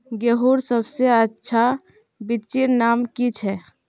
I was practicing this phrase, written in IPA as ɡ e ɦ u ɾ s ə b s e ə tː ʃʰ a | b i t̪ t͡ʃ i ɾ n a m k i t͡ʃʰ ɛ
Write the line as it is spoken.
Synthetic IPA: ɡ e ɦ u ɾ s ə b s e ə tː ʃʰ a | b i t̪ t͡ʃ i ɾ n a m k i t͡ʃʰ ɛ